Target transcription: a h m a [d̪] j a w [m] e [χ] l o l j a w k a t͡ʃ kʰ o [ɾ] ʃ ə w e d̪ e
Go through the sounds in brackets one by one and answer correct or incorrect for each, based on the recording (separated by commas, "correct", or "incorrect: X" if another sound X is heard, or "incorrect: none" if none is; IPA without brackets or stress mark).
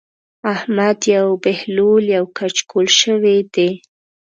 correct, incorrect: b, incorrect: h, incorrect: l